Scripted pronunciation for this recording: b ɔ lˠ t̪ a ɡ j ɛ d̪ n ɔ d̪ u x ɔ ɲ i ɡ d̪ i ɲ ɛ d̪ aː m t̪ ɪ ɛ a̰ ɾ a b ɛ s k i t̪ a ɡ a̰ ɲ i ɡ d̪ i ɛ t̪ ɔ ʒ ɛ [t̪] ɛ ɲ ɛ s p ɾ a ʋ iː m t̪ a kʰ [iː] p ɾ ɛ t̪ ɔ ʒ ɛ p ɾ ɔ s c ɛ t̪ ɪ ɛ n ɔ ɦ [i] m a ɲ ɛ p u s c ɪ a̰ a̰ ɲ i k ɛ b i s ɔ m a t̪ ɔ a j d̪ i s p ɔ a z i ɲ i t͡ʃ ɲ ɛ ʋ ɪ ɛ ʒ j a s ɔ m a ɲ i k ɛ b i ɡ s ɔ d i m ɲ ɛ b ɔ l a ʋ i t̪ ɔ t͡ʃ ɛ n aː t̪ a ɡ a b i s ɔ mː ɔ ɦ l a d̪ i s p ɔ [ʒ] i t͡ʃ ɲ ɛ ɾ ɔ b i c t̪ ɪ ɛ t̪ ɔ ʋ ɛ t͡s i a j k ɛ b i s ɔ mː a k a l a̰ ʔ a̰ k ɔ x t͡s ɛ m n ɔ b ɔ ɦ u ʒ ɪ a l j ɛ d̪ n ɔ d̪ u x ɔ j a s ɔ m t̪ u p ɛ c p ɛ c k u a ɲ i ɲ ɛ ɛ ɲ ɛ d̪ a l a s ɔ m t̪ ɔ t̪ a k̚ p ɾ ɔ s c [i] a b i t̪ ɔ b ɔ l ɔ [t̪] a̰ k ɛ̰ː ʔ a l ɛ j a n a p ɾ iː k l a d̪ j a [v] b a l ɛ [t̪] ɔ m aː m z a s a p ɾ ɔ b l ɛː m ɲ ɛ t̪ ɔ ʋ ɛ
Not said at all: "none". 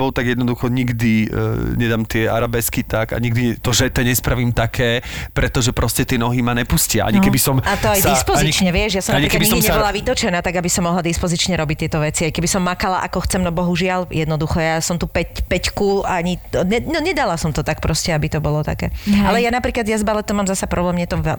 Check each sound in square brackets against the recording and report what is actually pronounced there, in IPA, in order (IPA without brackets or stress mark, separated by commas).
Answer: t̪, ɛː, i, z, ɛ, t̪, z, t̪